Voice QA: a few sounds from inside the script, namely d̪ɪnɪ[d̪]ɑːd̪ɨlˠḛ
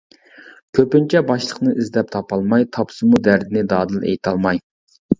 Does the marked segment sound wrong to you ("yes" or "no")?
no